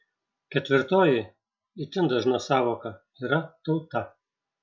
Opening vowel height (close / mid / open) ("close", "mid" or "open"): mid